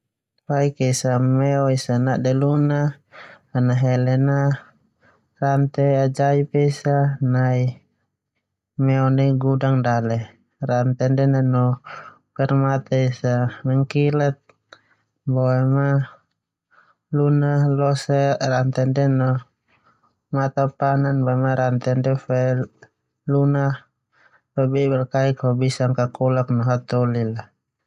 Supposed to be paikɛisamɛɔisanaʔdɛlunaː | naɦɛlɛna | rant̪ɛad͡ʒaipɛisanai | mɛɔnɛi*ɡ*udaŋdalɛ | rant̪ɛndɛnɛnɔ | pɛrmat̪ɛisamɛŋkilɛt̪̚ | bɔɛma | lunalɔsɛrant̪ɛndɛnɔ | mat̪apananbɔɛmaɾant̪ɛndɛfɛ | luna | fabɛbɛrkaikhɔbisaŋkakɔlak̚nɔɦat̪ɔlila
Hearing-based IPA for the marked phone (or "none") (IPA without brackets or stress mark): ɡ